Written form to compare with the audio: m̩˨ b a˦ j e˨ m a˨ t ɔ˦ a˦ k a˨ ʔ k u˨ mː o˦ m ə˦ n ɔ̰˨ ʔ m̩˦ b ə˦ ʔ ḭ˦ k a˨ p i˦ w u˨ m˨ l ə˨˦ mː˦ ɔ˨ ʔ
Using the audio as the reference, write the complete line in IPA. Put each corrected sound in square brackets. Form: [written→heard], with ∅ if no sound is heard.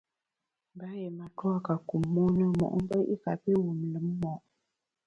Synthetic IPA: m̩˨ b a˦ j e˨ m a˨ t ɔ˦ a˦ k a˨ [ʔ→∅] k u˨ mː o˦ [m→n] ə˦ [n→m] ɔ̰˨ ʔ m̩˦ b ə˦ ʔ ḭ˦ k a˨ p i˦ w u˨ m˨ l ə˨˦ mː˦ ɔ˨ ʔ